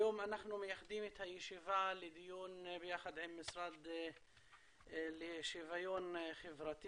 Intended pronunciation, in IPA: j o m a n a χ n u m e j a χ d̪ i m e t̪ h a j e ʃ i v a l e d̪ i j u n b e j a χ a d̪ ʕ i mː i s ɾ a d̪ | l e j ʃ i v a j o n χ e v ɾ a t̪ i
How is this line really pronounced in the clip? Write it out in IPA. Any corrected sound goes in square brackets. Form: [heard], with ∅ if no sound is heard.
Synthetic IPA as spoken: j o m a n a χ n u m e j a χ d̪ i m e t̪ h a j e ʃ i v a l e d̪ i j u n b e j a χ a d̪ ʕ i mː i s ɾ a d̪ | l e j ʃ i v a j o n χ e v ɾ a t̪ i